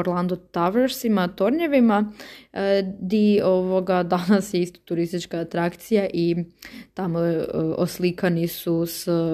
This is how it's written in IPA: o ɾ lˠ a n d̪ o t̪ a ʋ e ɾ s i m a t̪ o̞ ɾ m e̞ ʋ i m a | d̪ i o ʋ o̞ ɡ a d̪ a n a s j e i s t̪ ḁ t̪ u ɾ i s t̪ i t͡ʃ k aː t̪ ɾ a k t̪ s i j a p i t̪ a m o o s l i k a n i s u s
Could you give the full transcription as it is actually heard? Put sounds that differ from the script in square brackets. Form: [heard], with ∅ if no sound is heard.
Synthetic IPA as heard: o ɾ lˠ a n d̪ o t̪ a ʋ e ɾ s i m a t̪ o̞ ɾ [ɲ] e̞ ʋ i m a | d̪ i o ʋ o̞ ɡ a d̪ a n a s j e i s t̪ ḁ t̪ u ɾ i s t̪ i t͡ʃ k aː t̪ ɾ a k t̪ s i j a [ʔ] i t̪ a m o o s l i k a n i s u s